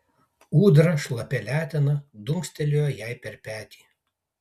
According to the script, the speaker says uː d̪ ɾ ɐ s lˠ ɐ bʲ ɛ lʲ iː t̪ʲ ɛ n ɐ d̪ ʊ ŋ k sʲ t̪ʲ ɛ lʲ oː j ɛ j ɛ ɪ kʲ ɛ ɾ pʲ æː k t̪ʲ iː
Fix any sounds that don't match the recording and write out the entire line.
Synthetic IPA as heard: uː d̪ ɾ ɐ ʃ lˠ ɐ pʲ ɛ lʲ æː t̪ʲ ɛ n ɐ d̪ ʊ ŋ k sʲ t̪ʲ ɛ lʲ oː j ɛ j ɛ ɪ pʲ ɛ ɾ pʲ æː t̪ʲ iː